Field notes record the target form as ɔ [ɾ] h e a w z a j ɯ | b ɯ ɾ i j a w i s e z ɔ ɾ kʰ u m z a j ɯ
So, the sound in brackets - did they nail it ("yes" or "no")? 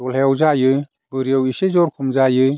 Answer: no